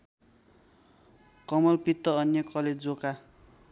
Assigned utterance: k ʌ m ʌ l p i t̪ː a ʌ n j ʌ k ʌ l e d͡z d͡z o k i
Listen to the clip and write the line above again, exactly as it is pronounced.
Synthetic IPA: k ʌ m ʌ l p i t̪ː ʌ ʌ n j ʌ k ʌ l e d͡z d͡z o k a